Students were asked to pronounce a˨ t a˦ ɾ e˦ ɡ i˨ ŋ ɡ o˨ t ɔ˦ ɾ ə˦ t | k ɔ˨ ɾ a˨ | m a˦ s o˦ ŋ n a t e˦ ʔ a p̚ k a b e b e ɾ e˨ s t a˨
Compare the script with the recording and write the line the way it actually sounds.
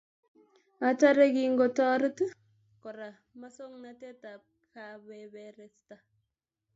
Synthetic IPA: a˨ t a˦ ɾ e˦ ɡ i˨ ŋ ɡ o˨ t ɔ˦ ɾ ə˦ t | k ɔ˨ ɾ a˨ | m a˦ s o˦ ŋ n a t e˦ t a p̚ k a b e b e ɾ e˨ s t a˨

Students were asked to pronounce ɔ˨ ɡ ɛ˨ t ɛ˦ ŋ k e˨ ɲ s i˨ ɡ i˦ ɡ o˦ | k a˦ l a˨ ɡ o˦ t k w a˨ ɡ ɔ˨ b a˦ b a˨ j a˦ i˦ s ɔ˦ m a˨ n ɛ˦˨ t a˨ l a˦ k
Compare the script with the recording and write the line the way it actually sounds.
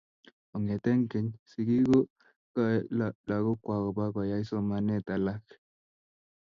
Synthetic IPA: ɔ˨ ŋ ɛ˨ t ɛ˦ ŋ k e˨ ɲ s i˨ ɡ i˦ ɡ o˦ | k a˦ l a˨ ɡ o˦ k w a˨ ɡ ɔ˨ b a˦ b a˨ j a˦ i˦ s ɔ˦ m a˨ n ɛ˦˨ t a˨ l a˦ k

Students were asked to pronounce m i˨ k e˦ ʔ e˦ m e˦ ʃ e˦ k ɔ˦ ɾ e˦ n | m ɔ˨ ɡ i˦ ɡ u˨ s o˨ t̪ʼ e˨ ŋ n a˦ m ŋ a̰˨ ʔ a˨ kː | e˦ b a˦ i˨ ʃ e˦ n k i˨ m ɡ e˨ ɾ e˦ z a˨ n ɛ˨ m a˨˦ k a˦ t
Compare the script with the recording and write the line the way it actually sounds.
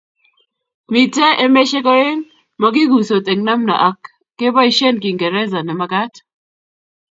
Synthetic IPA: m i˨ t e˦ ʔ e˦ m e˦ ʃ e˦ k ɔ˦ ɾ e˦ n | m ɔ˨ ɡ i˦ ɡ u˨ s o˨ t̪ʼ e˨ ŋ n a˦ m n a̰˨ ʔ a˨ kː | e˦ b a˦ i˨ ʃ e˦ n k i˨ ŋ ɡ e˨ ɾ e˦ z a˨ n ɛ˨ m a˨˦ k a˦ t

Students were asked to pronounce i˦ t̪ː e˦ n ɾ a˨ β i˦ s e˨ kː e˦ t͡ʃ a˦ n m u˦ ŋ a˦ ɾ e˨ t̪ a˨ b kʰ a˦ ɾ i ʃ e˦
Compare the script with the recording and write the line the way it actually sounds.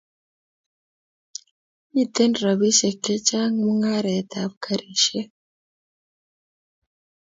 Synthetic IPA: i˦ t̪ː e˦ n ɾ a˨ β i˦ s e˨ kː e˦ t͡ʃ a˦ ŋ m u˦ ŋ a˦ ɾ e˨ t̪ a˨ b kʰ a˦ ɾ i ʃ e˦

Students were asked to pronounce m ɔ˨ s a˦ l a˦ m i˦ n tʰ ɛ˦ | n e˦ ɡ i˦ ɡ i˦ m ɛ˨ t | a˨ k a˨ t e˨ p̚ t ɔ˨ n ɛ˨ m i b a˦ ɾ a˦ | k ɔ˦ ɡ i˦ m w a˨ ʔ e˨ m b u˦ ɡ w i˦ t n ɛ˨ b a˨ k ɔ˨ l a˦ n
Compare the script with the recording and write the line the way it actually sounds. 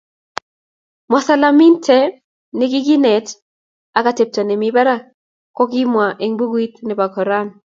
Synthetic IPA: m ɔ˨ s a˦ l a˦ m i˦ n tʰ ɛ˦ | n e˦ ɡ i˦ ɡ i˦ n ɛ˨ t | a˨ k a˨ t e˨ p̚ t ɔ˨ n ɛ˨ m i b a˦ ɾ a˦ | k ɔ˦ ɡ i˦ m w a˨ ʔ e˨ ŋ b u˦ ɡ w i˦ t n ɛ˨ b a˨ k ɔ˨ ɾ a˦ n

